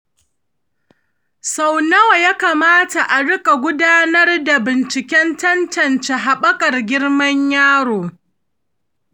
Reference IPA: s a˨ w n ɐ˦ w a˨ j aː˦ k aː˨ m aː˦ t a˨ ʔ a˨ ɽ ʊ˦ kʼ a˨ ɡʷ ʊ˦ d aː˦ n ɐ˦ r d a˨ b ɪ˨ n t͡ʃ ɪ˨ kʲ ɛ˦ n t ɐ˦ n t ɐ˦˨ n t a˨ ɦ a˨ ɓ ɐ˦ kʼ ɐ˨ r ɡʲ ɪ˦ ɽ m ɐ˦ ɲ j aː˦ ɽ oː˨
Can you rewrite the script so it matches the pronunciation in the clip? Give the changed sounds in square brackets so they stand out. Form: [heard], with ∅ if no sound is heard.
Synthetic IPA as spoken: s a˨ w n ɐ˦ w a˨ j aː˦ k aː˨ m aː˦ t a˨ ʔ a˨ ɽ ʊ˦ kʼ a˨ ɡʷ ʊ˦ d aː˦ n ɐ˦ r d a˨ b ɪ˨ n t͡ʃ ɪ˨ kʲ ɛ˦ n t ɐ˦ n t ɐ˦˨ n [t͡ʃ] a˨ ɦ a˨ ɓ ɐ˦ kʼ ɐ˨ r ɡʲ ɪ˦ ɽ m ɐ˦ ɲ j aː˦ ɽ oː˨